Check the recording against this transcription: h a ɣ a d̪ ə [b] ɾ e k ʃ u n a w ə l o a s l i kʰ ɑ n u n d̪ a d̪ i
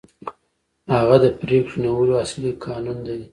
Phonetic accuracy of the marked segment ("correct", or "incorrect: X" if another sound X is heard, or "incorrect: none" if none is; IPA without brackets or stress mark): incorrect: p